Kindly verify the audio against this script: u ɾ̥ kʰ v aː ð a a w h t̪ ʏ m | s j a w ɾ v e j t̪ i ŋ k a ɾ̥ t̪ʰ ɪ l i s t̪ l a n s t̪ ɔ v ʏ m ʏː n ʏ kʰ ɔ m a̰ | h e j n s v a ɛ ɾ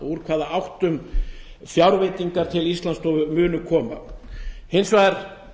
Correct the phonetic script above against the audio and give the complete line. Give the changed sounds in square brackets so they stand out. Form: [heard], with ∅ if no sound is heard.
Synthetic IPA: u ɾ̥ kʰ v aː ð a a w h t̪ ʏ m | [f] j a w ɾ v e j t̪ i ŋ k a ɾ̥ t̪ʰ ɪ l i s t̪ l a n s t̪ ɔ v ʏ m ʏː n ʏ kʰ [ɔː] m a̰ | h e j n s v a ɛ ɾ